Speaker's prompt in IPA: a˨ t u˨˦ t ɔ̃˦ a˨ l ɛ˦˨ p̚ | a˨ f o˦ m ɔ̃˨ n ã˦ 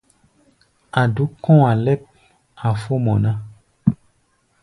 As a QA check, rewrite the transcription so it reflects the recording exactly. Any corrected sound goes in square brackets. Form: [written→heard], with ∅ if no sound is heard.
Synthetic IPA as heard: a˨ [t→d] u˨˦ [t→k] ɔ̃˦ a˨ l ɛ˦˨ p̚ | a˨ f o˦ m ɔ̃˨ n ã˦